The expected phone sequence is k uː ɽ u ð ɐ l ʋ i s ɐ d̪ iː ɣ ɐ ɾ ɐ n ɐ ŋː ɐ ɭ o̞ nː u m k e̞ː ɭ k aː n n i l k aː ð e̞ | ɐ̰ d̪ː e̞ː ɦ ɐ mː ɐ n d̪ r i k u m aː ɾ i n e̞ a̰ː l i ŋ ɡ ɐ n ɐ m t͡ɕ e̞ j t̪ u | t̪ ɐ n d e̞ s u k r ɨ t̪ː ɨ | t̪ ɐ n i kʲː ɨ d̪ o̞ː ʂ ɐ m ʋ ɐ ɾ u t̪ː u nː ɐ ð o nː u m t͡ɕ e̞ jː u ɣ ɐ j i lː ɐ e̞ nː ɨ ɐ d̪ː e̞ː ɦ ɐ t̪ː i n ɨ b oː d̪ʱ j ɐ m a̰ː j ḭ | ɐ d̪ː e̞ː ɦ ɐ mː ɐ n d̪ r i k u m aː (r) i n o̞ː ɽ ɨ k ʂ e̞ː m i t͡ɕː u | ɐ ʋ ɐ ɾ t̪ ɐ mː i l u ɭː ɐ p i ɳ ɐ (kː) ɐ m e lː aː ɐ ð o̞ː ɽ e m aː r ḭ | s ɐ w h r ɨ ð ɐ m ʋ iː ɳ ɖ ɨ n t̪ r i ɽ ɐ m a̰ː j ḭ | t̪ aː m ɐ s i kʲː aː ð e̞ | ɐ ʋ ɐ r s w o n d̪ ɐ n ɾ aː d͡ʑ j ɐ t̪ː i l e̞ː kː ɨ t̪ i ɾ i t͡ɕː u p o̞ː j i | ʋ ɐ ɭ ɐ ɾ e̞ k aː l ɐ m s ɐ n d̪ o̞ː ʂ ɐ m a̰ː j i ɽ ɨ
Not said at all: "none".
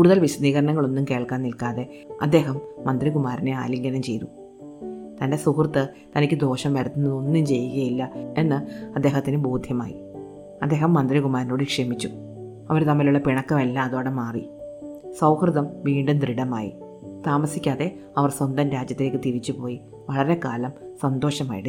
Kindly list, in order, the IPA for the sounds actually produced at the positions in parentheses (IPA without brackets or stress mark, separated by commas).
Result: ɾ, kː